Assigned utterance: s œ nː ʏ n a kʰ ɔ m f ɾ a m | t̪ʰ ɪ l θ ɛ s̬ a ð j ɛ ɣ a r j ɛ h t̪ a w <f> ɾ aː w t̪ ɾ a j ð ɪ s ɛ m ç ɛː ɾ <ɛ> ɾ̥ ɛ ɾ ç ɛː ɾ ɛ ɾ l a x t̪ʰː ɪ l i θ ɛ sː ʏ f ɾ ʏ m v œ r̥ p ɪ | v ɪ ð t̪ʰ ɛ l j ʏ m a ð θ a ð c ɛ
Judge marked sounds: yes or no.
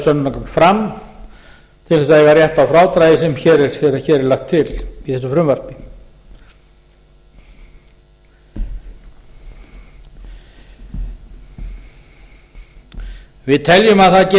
yes, yes

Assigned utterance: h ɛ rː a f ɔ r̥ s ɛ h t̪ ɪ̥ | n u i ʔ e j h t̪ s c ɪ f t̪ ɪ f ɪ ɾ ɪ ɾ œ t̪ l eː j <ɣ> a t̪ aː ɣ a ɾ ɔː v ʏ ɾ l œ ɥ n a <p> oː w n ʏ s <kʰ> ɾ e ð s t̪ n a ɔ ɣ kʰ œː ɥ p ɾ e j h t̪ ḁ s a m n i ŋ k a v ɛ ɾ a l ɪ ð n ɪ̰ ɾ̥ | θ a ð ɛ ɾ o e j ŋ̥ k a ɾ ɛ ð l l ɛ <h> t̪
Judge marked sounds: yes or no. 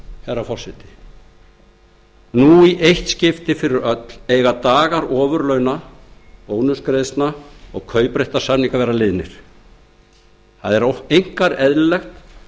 yes, yes, no, no

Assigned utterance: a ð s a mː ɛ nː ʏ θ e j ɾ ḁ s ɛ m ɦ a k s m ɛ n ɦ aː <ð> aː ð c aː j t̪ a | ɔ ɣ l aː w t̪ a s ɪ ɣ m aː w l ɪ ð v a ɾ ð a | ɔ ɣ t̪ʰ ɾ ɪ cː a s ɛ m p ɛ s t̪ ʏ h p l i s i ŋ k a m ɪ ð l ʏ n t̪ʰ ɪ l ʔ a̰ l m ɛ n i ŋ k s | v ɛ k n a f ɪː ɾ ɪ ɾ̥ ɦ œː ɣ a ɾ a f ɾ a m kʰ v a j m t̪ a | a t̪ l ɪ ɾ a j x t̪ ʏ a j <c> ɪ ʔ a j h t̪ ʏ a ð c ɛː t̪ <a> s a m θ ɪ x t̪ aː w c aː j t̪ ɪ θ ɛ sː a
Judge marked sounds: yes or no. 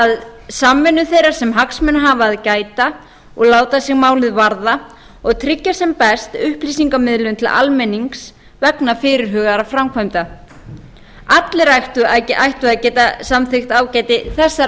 no, yes, yes

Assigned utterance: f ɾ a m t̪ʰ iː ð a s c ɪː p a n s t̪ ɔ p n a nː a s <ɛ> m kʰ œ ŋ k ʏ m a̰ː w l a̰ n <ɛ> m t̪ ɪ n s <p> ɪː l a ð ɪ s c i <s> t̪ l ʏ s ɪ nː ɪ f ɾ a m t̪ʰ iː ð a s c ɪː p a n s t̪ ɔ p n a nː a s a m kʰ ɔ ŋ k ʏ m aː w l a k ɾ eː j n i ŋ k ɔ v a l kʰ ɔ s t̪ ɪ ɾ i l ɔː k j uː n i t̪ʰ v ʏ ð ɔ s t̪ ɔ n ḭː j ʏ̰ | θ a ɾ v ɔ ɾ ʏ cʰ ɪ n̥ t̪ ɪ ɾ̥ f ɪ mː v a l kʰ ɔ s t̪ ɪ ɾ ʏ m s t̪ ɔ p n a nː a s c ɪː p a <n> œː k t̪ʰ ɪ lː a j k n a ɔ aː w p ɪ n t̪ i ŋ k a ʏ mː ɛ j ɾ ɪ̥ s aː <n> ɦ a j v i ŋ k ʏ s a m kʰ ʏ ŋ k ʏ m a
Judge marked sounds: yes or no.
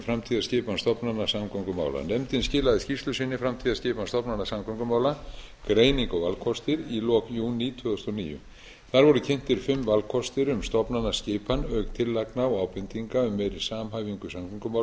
no, yes, no, yes, yes, no

